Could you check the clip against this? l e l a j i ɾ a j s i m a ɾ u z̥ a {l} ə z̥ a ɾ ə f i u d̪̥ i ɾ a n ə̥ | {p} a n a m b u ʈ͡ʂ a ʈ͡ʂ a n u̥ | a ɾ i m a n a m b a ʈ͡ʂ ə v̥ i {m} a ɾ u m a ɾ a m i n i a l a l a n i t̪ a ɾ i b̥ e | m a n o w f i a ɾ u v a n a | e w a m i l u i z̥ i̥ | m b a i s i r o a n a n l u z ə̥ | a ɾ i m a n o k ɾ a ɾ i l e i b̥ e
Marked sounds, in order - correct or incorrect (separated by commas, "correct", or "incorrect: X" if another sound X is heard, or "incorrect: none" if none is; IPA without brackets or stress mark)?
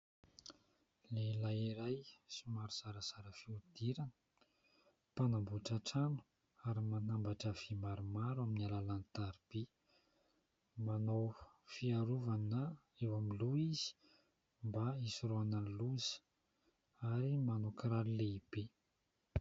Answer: incorrect: ɾ, correct, correct